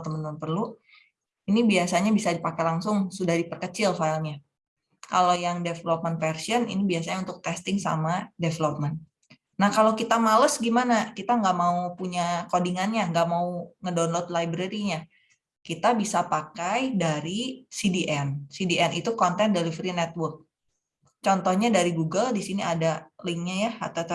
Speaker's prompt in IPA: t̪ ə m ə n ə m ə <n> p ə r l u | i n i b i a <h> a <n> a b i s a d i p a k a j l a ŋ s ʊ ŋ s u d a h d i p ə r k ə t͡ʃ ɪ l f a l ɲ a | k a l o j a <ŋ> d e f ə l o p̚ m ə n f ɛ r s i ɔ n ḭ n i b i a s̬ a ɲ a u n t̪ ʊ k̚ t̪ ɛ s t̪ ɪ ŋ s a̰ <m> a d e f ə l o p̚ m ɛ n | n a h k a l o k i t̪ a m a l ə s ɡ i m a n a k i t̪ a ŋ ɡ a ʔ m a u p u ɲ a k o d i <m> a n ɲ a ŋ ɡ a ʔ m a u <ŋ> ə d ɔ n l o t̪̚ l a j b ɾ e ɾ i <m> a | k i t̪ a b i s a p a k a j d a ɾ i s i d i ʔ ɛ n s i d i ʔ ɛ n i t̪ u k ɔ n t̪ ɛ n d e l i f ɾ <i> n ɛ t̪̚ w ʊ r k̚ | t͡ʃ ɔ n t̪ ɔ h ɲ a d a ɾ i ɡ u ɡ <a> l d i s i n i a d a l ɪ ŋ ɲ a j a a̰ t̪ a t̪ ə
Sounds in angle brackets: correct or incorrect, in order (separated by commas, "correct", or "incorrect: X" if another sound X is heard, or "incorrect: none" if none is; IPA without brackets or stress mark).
correct, incorrect: s, incorrect: ɲ, correct, correct, incorrect: ŋ, correct, incorrect: ɲ, correct, incorrect: ə